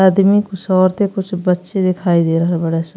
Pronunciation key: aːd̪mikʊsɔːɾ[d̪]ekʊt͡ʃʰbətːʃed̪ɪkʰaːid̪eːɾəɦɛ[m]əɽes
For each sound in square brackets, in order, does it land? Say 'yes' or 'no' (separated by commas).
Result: no, no